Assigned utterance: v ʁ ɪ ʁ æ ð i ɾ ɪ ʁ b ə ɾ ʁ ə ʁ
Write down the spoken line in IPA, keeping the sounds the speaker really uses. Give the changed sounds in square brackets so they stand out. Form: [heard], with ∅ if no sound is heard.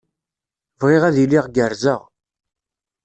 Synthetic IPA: v ʁ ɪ ʁ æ ð i [l] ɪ ʁ [ɡ] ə ɾ [z] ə ʁ